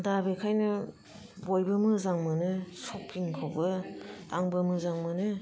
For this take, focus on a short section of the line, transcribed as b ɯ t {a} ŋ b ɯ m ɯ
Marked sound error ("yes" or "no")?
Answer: no